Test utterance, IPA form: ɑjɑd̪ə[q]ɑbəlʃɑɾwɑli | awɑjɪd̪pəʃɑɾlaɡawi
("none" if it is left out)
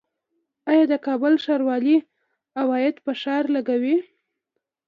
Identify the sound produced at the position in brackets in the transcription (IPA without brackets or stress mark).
k